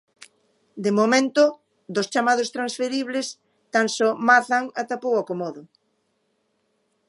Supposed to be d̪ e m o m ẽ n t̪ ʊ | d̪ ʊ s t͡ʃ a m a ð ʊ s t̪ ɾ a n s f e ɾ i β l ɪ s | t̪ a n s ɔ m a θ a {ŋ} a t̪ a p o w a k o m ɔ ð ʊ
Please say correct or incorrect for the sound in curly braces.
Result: correct